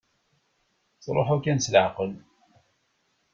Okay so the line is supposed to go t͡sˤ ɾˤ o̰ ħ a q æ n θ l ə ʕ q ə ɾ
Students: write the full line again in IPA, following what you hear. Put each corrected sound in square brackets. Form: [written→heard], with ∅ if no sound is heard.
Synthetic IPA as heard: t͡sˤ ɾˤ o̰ ħ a [q→k] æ n [θ→s] l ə ʕ q ə [ɾ→l]